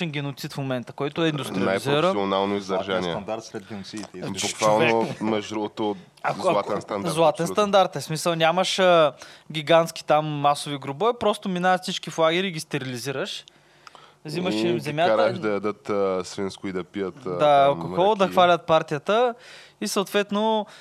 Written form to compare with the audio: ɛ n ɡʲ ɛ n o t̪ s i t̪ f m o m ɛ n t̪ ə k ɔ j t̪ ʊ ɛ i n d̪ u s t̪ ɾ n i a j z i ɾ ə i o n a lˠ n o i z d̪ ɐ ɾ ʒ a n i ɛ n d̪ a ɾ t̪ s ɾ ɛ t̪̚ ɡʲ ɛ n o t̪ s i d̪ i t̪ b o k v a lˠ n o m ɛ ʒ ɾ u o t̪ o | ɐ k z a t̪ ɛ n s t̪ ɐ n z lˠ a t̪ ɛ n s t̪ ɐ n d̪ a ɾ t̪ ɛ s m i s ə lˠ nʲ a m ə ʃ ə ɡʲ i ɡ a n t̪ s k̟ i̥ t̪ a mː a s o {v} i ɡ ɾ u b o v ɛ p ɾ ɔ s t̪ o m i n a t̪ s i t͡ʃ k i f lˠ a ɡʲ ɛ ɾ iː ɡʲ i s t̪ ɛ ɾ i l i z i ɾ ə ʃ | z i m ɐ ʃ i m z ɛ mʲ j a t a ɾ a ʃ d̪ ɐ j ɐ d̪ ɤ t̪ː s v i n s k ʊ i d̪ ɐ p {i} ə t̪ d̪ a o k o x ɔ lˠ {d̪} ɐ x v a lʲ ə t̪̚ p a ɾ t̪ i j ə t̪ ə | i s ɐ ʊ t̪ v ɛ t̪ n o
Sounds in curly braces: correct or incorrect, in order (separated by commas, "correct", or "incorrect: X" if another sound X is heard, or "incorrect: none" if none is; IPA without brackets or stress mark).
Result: correct, correct, correct